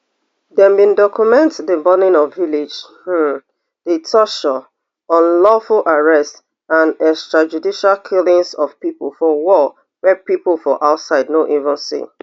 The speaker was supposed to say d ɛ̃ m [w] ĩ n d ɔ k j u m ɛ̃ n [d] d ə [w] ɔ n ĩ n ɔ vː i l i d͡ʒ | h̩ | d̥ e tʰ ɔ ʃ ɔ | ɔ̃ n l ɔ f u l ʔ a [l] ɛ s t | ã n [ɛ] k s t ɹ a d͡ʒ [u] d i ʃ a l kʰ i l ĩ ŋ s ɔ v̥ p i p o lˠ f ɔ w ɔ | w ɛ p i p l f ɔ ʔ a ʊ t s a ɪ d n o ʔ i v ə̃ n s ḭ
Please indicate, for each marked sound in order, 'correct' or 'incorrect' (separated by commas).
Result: incorrect, incorrect, incorrect, incorrect, correct, correct